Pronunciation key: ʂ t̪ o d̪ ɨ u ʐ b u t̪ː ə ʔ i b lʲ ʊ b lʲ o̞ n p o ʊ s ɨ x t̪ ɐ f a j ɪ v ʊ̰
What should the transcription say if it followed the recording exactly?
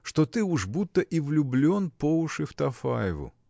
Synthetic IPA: ʂ t̪ o t̪ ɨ u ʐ b u t̪ː ə ʔ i v lʲ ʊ b lʲ o̞ n p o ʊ ʂ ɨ f t̪ ɐ f a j ɪ v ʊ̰

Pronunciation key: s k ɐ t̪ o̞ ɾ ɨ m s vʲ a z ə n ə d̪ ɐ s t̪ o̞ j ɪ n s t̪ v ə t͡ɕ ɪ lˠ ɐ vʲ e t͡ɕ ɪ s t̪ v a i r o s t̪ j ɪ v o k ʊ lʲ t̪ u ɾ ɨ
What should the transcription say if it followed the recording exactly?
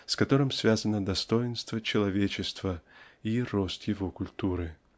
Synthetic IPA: s k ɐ t̪ o̞ ɾ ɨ m s vʲ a z ə n ə d̪ ɐ s t̪ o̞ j ɪ n s t̪ v ə t͡ɕ ɪ lˠ ɐ vʲ e t͡ɕ ɪ s t̪ v ə i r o s t̪ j ɪ v o k ʊ lʲ t̪ u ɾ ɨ

